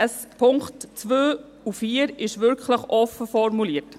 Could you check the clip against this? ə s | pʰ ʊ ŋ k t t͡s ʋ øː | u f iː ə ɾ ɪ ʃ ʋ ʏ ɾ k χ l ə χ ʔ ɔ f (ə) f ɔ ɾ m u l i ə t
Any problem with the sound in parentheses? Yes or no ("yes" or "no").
no